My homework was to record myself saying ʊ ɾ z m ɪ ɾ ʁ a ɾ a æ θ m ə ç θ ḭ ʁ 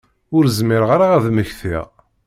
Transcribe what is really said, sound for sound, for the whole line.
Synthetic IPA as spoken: ʊ ɾ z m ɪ ɾ ʁ a ɾ a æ ð m ə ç θ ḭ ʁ